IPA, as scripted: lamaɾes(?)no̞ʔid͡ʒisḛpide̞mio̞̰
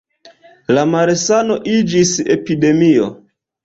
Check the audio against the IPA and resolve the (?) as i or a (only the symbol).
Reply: a